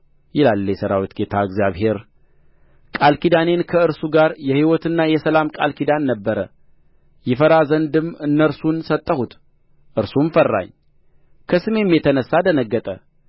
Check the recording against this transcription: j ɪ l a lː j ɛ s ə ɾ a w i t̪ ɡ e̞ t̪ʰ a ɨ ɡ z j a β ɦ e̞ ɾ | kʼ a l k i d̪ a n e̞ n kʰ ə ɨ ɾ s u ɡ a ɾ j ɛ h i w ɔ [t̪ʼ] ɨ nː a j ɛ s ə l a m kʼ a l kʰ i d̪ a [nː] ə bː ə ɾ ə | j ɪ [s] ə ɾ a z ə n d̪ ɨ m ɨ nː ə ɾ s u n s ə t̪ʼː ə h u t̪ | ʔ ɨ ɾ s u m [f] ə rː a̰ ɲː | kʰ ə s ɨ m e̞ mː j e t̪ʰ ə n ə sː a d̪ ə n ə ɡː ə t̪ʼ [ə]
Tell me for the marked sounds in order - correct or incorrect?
incorrect: t̪, correct, incorrect: f, correct, correct

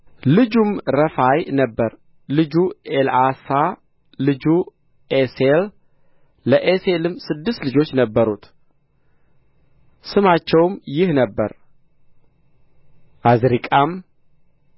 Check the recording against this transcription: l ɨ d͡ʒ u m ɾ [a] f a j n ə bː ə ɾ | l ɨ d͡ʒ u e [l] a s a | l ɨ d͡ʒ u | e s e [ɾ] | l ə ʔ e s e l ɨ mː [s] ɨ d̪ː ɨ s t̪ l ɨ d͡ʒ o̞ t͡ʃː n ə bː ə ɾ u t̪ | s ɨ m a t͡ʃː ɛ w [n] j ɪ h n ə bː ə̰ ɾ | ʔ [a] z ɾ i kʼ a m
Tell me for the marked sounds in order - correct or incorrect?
incorrect: ə, correct, incorrect: l, correct, incorrect: m, correct

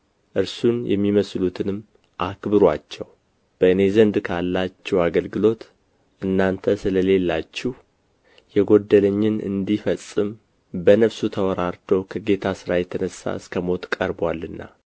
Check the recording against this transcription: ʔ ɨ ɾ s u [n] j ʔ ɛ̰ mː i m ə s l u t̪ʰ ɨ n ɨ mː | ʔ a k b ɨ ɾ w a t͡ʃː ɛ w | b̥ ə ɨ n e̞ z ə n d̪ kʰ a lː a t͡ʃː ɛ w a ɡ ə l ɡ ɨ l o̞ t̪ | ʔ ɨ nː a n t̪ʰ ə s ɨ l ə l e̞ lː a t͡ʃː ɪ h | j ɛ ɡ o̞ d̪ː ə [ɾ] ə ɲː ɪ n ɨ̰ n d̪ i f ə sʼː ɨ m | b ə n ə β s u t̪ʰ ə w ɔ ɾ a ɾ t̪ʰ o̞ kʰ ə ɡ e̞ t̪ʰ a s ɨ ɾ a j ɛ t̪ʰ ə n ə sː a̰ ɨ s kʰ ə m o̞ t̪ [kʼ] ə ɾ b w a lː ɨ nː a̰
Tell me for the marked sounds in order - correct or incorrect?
correct, incorrect: l, correct

